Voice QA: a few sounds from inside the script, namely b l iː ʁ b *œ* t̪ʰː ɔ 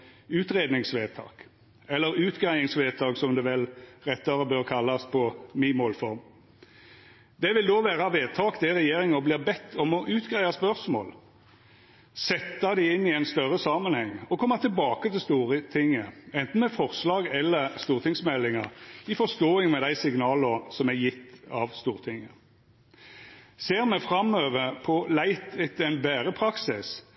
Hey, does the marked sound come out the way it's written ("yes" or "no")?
no